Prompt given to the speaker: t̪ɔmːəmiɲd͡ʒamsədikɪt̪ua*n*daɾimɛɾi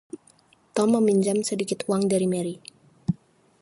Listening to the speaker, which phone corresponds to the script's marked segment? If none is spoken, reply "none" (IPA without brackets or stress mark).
ŋ